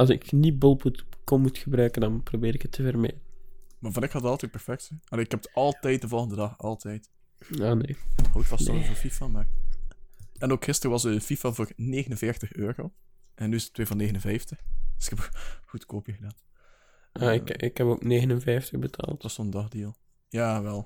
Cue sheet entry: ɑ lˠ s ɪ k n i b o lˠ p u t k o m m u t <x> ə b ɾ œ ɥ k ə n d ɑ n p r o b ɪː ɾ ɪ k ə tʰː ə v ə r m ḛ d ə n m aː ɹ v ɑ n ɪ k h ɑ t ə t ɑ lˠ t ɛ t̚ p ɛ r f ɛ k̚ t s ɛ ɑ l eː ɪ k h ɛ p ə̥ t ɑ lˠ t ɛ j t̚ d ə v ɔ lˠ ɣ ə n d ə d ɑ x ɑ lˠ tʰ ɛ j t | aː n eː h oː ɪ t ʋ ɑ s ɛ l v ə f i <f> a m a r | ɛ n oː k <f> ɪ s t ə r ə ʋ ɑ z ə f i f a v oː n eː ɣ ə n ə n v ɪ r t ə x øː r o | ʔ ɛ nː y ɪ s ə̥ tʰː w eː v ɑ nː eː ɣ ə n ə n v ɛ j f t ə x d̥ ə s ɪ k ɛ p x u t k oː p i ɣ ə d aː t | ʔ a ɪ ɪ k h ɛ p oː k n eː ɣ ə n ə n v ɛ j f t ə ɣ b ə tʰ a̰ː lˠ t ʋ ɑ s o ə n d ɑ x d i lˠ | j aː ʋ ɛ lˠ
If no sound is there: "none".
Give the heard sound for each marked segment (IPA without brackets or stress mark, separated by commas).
x, f, x